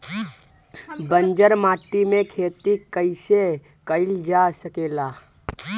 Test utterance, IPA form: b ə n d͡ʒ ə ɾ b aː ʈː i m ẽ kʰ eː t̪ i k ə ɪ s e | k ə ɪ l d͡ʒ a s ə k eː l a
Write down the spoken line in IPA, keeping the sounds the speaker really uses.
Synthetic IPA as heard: b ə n d͡ʒ ə ɾ m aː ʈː i m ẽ kʰ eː t̪ i k ə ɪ s e | k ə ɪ l d͡ʒ a s ə k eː l a